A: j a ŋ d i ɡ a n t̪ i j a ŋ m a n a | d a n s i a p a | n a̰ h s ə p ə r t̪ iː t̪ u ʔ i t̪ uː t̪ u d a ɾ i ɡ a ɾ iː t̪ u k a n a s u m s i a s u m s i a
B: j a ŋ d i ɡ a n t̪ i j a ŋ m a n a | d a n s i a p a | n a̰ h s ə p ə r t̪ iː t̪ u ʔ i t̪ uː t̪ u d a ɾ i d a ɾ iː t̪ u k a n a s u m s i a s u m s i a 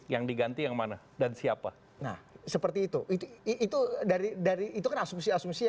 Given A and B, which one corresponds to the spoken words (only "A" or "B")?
B